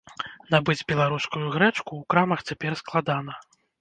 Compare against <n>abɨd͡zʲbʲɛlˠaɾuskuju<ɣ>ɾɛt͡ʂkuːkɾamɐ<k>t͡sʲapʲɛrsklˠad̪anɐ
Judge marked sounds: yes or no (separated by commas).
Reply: yes, yes, no